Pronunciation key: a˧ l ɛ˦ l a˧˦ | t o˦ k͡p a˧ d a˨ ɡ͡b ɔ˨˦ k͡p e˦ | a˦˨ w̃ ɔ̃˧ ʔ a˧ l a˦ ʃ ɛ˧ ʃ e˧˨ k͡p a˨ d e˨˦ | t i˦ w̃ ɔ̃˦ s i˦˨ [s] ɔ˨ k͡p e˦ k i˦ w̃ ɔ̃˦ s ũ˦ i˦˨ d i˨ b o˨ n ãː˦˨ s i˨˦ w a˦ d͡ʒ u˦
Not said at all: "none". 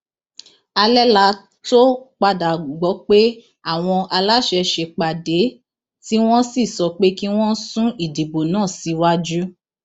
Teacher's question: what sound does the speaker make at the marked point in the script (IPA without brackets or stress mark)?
s